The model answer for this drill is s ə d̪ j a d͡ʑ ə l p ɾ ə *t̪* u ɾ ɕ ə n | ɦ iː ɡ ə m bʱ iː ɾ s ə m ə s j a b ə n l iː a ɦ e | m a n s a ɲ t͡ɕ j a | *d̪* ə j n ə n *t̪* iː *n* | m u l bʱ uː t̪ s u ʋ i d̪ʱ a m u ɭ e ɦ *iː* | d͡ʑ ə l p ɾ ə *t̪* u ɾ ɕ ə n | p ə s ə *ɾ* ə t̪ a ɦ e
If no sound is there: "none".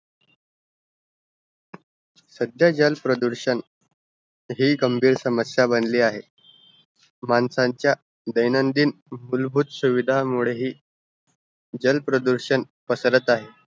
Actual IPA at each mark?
d̪, d̪, d̪, n, iː, d̪, ɾ

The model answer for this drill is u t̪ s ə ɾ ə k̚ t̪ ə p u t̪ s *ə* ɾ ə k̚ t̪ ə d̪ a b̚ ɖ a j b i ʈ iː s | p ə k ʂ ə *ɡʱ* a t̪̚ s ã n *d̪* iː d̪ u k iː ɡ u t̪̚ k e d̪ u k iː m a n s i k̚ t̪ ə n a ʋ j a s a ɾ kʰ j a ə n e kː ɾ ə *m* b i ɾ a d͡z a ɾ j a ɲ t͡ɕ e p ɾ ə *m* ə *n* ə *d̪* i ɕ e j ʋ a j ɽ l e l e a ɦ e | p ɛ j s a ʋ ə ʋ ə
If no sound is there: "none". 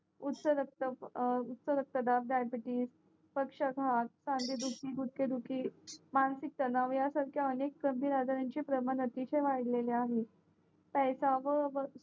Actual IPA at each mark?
ə, ɡʱ, d̪, m, m, n, t̪

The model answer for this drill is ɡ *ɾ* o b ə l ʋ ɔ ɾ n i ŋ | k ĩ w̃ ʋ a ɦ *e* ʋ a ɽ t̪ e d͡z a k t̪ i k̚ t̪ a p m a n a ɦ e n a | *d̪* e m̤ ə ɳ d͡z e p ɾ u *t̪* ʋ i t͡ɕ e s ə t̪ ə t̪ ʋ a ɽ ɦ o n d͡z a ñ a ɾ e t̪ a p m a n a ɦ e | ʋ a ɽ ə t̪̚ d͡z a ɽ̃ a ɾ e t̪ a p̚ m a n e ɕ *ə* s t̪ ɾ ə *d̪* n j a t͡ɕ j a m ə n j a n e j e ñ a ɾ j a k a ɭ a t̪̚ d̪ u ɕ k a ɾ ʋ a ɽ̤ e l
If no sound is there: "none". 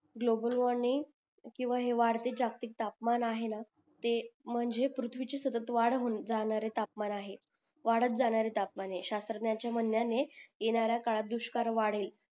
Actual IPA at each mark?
l, e, t̪, t̪ʰ, a, t̪

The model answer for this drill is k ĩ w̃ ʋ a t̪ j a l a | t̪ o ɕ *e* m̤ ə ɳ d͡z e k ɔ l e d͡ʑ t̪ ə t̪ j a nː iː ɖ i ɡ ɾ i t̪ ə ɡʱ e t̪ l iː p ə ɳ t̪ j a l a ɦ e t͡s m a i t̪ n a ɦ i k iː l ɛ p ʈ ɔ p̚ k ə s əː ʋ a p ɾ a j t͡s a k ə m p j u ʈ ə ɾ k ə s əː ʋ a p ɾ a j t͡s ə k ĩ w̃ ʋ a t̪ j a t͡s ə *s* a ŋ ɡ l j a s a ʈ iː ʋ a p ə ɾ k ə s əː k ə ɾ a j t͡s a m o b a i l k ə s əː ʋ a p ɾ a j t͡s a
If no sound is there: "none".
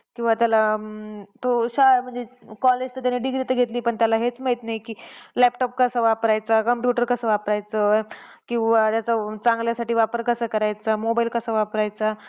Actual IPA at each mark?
a, t͡s

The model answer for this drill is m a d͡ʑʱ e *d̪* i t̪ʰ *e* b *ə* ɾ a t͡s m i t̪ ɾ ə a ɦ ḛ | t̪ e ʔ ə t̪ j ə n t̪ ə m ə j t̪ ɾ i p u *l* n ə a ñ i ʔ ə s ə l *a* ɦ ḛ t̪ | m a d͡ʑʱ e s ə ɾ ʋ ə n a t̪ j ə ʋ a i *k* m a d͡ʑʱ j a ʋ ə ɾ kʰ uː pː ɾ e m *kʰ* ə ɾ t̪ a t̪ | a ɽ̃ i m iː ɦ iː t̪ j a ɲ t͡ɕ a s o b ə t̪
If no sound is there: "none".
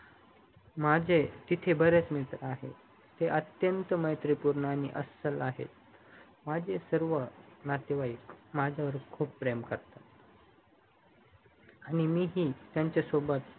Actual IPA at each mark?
t̪, e, ə, ɾ, a, k, k

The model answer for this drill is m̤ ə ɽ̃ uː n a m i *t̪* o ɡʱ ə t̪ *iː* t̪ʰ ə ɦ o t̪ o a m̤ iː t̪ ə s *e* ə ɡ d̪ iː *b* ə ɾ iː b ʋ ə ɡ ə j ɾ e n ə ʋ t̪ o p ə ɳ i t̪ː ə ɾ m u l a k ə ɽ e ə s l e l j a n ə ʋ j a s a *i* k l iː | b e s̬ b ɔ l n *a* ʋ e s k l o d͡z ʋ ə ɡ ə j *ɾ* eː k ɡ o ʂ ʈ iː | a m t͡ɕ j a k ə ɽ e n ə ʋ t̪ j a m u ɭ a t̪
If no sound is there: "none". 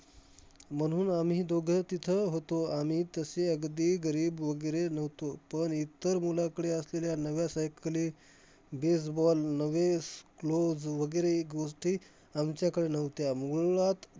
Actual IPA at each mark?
d̪, i, e, ɡ, j, ə, ɾ

